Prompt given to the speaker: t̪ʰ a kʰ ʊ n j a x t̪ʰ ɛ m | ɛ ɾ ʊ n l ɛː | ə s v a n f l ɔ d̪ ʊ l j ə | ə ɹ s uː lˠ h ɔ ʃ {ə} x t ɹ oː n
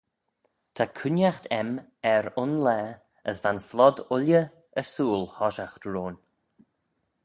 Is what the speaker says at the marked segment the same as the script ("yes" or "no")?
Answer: no